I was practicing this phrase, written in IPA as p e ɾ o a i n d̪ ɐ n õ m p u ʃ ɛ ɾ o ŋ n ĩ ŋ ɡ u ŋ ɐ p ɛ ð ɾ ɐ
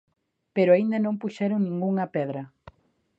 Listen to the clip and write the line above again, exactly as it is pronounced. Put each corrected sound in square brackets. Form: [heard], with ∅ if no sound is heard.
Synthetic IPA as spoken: p e ɾ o a i n d̪ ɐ n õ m p u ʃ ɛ ɾ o ŋ n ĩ ŋ ɡ u ŋ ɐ p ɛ ð ɾ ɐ